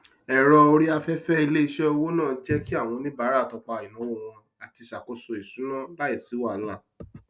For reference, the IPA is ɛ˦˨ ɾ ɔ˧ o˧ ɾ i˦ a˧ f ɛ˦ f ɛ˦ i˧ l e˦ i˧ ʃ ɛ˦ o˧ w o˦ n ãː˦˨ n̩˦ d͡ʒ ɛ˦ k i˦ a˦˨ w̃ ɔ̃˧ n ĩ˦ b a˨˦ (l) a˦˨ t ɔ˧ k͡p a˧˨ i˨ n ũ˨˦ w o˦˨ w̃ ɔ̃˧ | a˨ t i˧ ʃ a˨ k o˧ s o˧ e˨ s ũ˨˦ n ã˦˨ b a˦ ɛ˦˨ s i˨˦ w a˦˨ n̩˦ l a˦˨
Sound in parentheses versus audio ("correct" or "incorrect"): incorrect